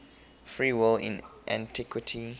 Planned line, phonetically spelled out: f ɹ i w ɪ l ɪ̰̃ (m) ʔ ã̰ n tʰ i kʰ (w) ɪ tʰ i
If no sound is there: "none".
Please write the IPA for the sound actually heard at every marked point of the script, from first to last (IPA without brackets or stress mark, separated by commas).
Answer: n, w